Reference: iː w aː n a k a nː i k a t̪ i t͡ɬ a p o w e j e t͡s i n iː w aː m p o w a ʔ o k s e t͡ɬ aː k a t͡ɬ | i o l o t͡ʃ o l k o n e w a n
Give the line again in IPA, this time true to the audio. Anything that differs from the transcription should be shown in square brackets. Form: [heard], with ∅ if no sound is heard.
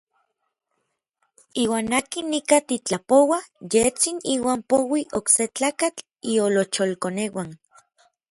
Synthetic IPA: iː w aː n a k [i] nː i k a t̪ i t͡ɬ a p o w [a] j e t͡s i n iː w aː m p o w [i] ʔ o k s e t͡ɬ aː k a t͡ɬ | i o l o t͡ʃ o l k o n e w a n